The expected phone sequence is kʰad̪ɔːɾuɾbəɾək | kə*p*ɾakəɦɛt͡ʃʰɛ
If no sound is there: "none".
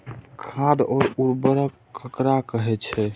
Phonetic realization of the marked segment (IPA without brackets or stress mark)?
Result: k